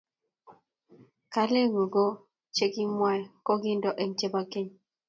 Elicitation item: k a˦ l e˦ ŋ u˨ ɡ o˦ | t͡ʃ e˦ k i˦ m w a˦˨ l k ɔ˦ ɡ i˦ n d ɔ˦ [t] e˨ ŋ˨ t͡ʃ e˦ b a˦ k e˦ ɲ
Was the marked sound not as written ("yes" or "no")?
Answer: yes